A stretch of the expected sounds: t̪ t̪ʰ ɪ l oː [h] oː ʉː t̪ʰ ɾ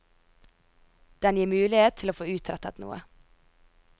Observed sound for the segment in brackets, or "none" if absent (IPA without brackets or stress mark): f